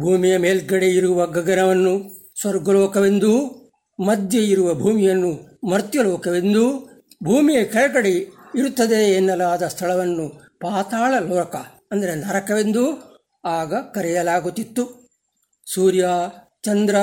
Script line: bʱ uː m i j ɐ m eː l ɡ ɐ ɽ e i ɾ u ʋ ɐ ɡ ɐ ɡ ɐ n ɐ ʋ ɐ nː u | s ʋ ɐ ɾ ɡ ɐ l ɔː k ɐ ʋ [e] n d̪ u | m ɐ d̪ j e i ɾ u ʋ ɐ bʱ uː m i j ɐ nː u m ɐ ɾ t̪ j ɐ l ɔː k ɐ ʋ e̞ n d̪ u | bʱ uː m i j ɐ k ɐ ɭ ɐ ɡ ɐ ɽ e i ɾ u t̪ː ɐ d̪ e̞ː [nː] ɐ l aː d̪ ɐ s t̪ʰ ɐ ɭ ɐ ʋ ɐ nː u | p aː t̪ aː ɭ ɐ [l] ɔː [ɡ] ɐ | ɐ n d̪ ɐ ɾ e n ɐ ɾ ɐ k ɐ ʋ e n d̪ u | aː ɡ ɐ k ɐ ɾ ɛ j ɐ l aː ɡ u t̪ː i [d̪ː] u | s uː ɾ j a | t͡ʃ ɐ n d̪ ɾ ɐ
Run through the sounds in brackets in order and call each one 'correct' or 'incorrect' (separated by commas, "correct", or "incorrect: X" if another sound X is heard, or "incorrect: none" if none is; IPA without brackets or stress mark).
correct, correct, correct, incorrect: k, incorrect: t̪ː